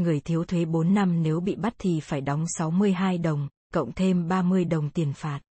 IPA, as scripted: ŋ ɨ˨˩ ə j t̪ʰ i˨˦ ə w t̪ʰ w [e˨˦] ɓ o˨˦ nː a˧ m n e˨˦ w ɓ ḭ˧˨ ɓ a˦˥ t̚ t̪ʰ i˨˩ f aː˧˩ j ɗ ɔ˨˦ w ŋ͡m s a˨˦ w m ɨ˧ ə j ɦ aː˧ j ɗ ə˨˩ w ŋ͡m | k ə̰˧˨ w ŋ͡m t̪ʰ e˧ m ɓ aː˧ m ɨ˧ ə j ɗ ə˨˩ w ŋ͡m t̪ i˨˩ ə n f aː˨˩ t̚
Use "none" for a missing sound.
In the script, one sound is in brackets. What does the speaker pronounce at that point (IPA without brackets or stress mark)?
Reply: e˨˦